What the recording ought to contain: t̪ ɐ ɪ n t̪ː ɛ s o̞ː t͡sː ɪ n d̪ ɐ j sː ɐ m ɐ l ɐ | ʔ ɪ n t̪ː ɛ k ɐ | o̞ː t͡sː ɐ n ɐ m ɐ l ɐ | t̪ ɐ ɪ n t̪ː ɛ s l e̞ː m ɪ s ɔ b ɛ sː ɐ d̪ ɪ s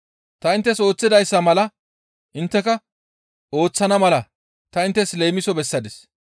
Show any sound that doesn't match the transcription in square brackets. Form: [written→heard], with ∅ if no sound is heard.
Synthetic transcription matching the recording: t̪ ɐ ɪ n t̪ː ɛ s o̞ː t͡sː ɪ [n→∅] d̪ ɐ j sː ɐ m ɐ l ɐ | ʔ ɪ n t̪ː ɛ k ɐ | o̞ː t͡sː ɐ n ɐ m ɐ l ɐ | t̪ ɐ ɪ n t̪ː ɛ s l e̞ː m ɪ s ɔ b ɛ sː ɐ d̪ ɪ s